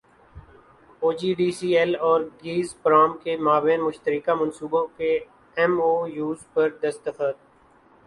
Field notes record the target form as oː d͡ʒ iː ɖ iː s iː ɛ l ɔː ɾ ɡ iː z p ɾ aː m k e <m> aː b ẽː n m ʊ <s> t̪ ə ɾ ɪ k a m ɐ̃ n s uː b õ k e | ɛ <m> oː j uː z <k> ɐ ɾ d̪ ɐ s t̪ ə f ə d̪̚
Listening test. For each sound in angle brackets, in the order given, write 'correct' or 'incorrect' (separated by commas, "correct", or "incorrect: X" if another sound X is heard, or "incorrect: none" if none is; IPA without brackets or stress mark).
correct, incorrect: ʃ, correct, incorrect: p